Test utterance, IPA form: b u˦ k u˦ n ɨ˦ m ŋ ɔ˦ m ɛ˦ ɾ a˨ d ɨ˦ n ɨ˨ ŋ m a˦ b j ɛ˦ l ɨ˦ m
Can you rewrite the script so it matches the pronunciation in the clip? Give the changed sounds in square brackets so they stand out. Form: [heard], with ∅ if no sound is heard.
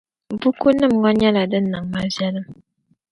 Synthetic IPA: b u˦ k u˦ n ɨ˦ m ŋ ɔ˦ [ɲ] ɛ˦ [l] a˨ d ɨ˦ n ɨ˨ ŋ m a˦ [v] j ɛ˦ l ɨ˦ m